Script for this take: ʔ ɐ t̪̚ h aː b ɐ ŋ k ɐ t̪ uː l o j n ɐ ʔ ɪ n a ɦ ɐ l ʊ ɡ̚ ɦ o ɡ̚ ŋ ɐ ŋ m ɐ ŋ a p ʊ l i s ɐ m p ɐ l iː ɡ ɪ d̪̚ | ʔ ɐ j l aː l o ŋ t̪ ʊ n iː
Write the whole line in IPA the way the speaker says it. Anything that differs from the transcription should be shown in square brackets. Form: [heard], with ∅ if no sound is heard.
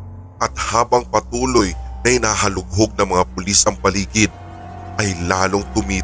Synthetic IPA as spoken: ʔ ɐ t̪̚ h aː b ɐ ŋ [p] ɐ t̪ uː l o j n ɐ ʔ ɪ n a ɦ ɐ l ʊ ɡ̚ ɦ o ɡ̚ [n] ɐ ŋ m ɐ ŋ a p ʊ l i s ɐ [ŋ] p ɐ l iː ɡ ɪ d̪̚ | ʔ ɐ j l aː l o ŋ t̪ ʊ [m] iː